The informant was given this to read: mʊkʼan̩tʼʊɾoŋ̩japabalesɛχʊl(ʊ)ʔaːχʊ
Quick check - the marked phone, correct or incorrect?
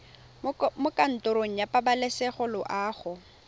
correct